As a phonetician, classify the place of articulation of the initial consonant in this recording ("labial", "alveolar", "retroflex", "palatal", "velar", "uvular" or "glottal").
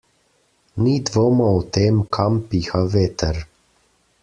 alveolar